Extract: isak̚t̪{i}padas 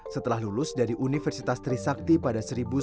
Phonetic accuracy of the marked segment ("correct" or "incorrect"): correct